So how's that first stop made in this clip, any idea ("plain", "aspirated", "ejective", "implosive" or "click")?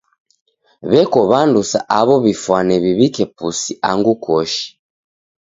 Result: plain